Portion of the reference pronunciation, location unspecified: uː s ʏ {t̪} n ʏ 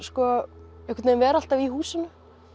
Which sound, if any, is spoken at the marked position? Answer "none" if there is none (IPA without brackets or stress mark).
none